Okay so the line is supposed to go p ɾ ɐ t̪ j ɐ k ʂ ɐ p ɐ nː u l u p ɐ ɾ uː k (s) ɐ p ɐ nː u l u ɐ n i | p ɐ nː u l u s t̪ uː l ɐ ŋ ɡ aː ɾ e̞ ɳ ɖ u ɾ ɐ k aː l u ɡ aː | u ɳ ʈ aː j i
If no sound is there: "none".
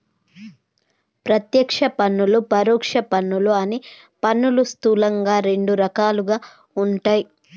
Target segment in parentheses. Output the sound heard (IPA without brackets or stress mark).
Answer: ʂ